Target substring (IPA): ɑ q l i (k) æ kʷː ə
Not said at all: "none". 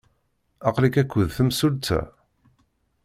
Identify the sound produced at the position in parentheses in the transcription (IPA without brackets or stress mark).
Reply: k